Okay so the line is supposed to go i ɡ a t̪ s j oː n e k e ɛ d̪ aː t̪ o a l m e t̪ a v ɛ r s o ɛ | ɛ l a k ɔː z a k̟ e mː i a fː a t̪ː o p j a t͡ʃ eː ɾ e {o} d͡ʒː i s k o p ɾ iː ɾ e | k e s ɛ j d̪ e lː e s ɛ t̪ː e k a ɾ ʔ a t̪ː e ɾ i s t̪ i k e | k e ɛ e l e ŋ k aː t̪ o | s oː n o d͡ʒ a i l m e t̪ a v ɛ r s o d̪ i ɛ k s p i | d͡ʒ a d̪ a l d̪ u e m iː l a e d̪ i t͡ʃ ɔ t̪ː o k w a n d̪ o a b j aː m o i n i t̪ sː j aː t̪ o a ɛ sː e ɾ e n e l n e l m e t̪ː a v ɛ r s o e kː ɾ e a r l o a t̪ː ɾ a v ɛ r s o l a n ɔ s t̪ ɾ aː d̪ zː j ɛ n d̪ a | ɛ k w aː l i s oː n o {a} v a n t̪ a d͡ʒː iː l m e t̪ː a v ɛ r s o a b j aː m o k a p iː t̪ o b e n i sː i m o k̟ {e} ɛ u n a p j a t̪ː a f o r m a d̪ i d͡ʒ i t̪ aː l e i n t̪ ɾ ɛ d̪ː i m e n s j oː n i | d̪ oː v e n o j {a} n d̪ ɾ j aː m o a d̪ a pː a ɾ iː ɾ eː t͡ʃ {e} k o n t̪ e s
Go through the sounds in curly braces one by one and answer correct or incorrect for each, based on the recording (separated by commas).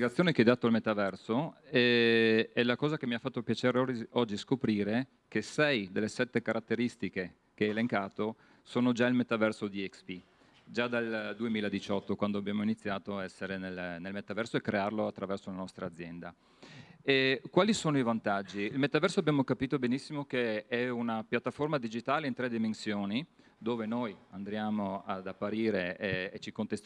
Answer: incorrect, incorrect, correct, correct, incorrect